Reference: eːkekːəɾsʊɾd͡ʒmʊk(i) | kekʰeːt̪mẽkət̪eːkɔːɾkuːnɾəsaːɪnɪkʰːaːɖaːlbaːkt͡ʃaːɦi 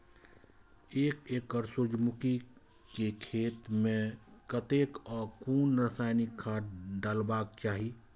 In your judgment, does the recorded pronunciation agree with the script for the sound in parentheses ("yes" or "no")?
yes